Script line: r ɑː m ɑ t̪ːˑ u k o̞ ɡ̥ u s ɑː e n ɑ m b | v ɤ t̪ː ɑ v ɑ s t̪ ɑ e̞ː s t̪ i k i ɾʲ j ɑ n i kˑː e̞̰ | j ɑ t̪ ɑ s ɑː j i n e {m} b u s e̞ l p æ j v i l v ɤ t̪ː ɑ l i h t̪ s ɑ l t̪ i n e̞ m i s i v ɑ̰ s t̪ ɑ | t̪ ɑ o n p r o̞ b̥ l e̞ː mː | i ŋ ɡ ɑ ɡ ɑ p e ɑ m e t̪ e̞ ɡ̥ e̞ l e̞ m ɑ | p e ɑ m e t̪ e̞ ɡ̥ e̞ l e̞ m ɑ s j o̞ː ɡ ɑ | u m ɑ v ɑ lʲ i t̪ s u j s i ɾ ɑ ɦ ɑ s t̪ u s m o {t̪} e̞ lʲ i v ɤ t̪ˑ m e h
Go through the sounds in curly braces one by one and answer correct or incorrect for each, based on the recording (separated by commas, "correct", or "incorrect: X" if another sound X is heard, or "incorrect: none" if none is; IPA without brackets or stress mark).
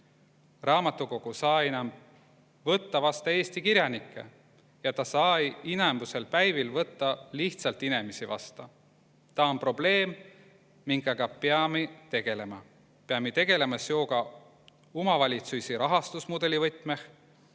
correct, incorrect: d̪